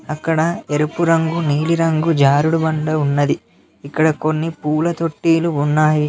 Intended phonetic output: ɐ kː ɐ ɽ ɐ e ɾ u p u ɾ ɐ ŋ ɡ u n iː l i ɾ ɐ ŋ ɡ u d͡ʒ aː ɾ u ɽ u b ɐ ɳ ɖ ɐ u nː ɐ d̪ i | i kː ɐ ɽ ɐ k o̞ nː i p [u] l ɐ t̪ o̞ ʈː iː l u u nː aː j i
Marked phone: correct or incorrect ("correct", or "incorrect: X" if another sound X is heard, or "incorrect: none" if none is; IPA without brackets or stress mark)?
incorrect: uː